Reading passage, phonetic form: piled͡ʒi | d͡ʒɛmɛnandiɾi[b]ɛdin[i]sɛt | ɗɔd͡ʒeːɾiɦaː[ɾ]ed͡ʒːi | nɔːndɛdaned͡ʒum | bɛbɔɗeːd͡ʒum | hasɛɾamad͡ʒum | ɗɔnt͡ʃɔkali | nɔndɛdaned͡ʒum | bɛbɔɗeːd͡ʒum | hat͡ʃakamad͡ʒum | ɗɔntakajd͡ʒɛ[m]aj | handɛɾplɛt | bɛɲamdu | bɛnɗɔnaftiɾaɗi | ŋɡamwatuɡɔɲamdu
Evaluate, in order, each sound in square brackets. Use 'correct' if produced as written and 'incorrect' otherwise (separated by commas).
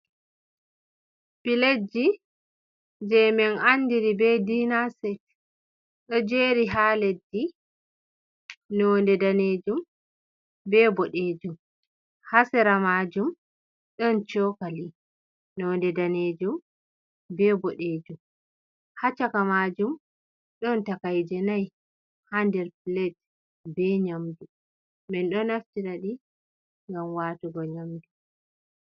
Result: correct, incorrect, incorrect, incorrect